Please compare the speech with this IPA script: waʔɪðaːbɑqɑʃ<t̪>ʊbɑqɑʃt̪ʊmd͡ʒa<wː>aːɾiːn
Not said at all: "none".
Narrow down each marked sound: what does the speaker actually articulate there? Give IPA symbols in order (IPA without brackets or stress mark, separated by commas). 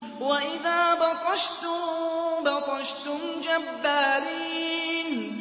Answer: t̪, bː